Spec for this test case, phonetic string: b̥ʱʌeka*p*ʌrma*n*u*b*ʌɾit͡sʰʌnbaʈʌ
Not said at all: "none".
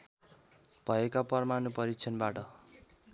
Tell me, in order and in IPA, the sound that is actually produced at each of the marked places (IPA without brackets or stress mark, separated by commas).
p, n, p